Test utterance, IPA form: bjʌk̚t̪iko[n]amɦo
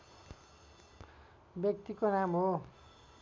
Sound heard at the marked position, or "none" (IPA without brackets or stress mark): n